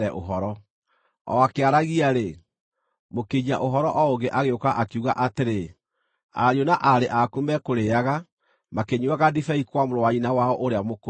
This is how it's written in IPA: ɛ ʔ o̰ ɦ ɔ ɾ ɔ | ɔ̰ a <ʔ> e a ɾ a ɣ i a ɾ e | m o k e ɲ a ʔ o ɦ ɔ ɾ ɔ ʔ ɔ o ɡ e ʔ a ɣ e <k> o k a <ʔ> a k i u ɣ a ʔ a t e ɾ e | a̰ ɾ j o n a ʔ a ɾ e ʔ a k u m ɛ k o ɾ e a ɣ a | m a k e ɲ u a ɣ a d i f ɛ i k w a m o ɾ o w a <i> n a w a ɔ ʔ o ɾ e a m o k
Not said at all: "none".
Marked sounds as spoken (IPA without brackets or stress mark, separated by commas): k, none, ʔ, i